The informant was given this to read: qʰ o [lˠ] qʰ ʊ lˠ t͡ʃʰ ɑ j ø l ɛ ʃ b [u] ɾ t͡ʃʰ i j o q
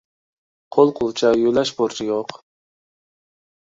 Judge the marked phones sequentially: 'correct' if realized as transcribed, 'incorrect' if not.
correct, incorrect: o

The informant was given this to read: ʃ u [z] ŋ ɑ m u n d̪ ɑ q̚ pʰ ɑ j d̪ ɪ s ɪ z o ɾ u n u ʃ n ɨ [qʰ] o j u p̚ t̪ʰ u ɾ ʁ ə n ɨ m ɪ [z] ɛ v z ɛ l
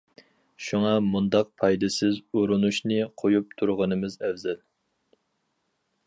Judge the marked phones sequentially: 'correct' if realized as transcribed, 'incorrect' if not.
incorrect: none, correct, correct

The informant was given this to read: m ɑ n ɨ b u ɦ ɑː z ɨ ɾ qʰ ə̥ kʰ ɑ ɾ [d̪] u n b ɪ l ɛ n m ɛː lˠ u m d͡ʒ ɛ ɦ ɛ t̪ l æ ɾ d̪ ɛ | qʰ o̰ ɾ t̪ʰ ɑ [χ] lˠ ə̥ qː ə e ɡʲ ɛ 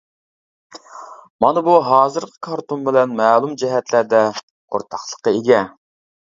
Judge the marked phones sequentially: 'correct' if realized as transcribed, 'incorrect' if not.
incorrect: t̪, correct

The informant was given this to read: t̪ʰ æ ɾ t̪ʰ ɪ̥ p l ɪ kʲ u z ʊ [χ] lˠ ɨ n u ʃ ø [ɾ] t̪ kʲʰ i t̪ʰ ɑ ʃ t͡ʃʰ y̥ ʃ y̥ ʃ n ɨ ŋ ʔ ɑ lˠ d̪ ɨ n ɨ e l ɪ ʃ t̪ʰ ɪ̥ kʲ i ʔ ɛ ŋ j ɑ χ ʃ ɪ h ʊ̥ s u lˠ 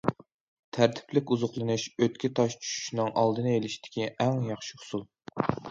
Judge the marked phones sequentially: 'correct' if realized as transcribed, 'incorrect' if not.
correct, incorrect: none

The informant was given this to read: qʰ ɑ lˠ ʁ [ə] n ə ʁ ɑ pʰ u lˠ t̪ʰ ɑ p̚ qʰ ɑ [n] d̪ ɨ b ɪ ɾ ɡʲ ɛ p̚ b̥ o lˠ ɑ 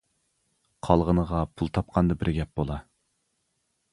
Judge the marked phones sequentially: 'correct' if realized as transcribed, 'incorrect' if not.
correct, correct

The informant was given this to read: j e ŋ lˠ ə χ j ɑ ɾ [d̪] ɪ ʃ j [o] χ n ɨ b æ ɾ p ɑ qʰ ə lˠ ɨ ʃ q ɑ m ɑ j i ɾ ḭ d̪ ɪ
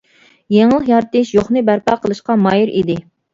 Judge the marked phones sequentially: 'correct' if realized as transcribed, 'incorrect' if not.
incorrect: t̪, correct

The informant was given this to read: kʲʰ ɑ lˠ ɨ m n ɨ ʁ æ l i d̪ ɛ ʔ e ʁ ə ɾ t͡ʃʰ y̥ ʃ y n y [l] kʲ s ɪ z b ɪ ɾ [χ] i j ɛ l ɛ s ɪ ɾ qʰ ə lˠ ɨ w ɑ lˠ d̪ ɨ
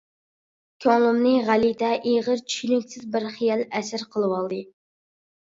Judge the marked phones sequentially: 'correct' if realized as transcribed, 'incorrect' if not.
incorrect: none, correct

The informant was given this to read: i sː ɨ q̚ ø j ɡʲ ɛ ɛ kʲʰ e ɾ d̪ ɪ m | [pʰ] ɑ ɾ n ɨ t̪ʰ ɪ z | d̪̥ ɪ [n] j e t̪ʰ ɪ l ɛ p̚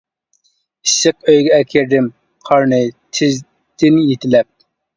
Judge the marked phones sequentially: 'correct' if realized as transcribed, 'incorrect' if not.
incorrect: qʰ, correct

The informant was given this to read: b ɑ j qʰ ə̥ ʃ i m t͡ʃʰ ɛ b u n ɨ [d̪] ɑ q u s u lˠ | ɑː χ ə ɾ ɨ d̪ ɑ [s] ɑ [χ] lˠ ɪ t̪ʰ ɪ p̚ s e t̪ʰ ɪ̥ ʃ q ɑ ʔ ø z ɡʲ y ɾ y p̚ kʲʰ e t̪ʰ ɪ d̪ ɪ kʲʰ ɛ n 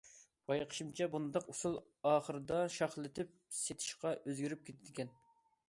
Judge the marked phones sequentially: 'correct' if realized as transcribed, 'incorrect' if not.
correct, incorrect: ʃ, correct

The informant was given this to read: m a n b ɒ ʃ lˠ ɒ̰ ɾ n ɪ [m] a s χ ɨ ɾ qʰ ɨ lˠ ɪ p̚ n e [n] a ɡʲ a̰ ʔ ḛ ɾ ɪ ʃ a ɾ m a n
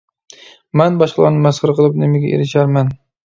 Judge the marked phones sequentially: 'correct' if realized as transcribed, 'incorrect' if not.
correct, incorrect: m

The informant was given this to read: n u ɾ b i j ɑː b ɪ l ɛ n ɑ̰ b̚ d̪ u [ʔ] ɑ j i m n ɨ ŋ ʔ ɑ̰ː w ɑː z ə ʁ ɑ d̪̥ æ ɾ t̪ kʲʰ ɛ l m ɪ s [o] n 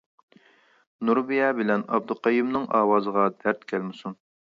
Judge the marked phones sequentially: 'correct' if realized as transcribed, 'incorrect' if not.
incorrect: q, incorrect: u

